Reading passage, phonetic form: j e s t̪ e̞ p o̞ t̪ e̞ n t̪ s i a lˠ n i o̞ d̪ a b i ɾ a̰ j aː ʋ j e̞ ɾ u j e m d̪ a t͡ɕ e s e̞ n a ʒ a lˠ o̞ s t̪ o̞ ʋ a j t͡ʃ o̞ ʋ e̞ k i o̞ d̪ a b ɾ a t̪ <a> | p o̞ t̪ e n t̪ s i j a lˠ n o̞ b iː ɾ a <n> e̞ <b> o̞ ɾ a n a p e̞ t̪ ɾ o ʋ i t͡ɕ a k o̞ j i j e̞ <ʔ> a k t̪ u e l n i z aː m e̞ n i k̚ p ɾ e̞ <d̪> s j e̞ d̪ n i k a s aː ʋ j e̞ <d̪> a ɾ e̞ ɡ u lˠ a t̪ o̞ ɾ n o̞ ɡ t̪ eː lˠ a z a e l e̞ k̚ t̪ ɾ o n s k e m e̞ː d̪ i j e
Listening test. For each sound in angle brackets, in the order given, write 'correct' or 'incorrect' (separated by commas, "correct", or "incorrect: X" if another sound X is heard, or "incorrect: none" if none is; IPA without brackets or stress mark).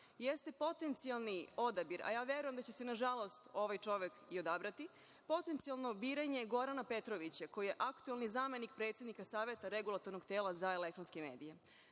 incorrect: i, incorrect: ɲ, incorrect: ɡ, correct, incorrect: t̪, incorrect: t̪